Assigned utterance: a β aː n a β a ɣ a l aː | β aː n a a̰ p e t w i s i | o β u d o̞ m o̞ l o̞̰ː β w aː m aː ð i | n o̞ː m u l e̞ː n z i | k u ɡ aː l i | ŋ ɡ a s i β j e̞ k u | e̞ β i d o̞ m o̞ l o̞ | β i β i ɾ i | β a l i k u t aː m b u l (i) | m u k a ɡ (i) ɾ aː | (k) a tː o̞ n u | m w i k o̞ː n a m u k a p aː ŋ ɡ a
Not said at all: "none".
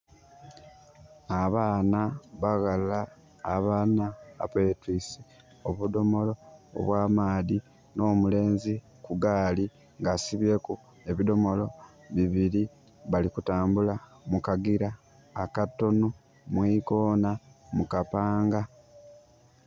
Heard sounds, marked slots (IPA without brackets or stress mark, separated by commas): a, i, k